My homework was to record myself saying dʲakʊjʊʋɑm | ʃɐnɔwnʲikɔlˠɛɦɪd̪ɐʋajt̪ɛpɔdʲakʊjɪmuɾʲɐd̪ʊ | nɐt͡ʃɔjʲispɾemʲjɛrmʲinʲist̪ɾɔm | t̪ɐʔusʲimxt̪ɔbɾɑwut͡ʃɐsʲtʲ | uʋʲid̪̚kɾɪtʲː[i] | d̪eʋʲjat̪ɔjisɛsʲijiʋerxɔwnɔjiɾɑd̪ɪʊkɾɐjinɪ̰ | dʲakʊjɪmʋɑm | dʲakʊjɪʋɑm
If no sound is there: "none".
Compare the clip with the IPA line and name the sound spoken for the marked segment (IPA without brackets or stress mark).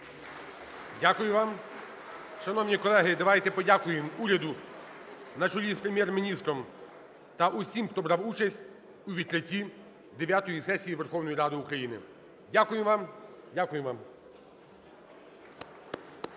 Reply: i